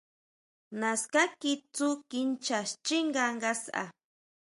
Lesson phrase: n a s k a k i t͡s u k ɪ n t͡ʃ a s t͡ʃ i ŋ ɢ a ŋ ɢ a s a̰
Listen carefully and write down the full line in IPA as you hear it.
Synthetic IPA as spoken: n a s k a k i t͡s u k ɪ n t͡ʃ a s t͡ʃ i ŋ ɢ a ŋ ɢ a s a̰